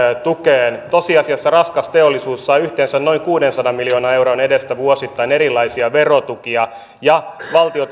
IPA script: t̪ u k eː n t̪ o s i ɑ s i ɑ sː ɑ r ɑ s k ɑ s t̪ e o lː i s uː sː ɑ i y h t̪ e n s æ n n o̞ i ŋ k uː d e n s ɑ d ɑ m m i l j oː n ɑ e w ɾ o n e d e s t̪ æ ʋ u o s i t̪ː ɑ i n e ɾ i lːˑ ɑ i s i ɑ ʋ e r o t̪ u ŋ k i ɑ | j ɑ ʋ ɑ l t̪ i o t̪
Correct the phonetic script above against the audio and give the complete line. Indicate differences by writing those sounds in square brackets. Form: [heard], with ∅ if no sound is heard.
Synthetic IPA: t̪ u k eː n t̪ o s i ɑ s i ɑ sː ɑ r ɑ s k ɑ s t̪ e o lː i s uː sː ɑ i y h t̪ e n s æ n n o̞ i ŋ k uː d e n s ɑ d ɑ m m i l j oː n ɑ e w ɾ o n e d e s t̪ æ ʋ u o s i t̪ː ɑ i n e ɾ i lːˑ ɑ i s i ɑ ʋ e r o t̪ u [∅] k i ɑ | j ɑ ʋ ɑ l t̪ i o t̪